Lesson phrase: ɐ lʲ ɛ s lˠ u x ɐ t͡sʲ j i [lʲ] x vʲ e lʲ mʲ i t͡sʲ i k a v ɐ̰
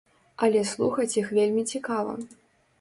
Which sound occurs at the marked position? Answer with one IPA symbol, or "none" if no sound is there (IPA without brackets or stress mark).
none